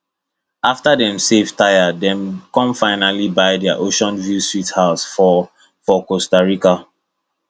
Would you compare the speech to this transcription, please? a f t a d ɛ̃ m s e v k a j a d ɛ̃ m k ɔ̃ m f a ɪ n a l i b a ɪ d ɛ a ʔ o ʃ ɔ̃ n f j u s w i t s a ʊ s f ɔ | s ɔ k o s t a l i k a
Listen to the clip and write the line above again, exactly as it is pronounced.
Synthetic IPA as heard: a f t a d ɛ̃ m s e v t a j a d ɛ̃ m k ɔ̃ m f a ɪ n a l i b a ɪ d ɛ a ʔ o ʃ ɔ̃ n v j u s w i t h a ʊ s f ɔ | f ɔ k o s t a ɹ i k a